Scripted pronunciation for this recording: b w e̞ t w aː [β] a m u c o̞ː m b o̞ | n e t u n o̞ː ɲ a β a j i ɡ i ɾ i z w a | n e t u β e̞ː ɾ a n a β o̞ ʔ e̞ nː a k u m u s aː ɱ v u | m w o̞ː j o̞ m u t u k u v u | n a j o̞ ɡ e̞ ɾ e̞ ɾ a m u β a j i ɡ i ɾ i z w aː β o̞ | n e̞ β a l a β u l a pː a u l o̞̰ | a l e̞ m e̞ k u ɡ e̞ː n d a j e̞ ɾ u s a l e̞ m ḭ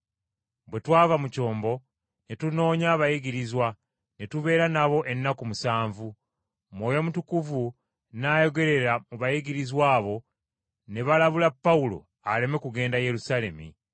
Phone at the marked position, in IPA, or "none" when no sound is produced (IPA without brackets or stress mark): v